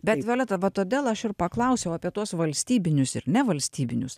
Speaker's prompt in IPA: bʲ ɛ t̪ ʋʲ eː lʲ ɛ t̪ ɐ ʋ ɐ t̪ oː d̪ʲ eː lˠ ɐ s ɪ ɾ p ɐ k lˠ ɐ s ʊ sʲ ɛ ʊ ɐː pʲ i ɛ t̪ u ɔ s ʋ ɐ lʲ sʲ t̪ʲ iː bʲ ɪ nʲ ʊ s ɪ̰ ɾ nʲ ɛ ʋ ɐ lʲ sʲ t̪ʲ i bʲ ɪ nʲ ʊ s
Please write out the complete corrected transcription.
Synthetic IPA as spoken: bʲ ɛ t̪ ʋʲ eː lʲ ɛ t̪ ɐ ʋ ɐ t̪ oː d̪ʲ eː lˠ ɐ ʃ ɪ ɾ p ɐ k lˠ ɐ ʊ sʲ ɛ ʊ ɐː pʲ i ɛ t̪ u ɔ s ʋ ɐ lʲ sʲ t̪ʲ iː bʲ ɪ nʲ ʊ s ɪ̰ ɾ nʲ ɛ ʋ ɐ lʲ sʲ t̪ʲ iː bʲ ɪ nʲ ʊ s